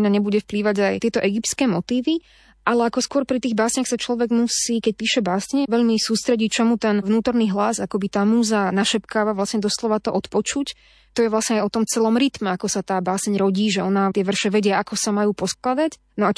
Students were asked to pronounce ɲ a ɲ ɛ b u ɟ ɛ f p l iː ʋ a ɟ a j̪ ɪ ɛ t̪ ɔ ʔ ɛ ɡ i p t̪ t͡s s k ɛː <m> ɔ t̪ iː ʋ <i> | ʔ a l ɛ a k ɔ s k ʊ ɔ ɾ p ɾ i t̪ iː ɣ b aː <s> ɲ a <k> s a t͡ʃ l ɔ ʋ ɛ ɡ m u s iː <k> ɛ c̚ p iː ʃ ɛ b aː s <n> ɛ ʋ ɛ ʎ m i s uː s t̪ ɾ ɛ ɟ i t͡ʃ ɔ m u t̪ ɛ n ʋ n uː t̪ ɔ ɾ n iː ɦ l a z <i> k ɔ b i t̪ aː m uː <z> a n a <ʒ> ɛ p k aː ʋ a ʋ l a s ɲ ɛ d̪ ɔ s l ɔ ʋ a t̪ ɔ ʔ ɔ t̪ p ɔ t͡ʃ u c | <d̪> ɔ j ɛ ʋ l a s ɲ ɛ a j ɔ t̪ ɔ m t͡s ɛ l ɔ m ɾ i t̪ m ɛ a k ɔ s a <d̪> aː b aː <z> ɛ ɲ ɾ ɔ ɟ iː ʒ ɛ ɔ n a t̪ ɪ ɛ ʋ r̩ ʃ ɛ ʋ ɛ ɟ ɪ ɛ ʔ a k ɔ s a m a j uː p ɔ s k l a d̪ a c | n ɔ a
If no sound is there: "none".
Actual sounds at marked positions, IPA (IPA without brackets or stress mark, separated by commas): m, i, s, x, k, ɲ, a, z, ʃ, t̪, t̪, s